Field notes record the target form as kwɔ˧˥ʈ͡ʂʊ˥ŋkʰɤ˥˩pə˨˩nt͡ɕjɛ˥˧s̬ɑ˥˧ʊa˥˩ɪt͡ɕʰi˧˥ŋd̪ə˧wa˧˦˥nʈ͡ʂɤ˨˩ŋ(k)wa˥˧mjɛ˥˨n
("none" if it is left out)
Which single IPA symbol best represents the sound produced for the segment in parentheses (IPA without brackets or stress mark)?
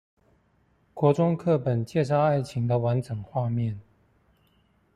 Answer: x